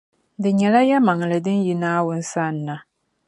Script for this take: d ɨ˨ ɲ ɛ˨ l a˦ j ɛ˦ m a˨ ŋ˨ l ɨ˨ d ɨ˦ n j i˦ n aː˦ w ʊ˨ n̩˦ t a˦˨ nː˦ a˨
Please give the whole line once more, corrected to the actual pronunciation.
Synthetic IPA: d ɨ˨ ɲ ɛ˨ l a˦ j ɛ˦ m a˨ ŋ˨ l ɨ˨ d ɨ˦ n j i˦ n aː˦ w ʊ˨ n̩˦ s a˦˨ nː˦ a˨